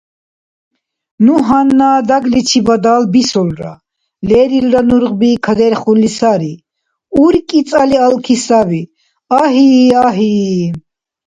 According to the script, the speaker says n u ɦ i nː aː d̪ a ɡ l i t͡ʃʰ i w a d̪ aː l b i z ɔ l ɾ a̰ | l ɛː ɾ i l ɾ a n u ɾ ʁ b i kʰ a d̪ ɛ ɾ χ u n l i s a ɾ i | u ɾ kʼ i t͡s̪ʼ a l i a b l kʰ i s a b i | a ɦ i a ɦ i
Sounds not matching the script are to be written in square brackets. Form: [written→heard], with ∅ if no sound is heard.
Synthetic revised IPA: n u ɦ [i→a] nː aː d̪ a ɡ l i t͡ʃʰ i [w→b] a d̪ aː l b i [z→s] ɔ l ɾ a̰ | l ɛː ɾ i l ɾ a n u ɾ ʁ b i kʰ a d̪ ɛ ɾ χ u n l i s a ɾ i | u ɾ kʼ i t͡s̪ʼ a l i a [b→∅] l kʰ i s a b i | a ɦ i a ɦ i